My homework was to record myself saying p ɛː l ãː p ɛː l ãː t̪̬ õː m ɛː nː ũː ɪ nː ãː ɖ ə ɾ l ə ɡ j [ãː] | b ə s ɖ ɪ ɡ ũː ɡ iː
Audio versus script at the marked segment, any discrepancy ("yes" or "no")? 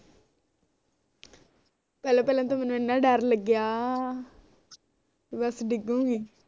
yes